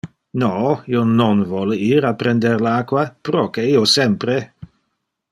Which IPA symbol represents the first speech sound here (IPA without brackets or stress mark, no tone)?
n